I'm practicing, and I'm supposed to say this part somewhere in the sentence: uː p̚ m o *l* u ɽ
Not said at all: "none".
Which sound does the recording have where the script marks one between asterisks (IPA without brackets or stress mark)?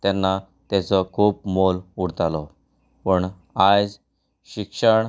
l